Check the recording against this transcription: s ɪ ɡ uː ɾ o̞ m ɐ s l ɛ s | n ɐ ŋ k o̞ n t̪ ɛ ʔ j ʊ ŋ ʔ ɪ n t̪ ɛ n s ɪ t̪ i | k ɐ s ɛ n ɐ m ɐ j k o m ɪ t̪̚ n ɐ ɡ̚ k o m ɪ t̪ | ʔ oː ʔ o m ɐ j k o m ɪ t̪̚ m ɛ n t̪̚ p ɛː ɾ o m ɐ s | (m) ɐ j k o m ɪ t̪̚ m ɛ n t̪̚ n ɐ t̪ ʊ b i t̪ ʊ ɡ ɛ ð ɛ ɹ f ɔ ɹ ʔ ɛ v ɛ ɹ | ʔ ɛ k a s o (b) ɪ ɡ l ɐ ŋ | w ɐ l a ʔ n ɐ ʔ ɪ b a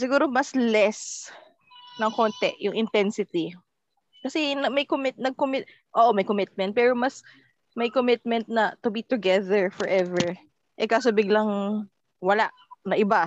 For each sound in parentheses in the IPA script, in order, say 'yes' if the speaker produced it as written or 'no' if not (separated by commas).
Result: yes, yes